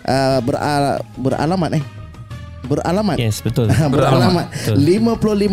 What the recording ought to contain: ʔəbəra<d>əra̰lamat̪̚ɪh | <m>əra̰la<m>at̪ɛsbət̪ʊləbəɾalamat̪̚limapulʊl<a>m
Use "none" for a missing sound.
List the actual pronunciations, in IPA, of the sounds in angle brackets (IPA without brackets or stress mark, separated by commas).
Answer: b, b, m, i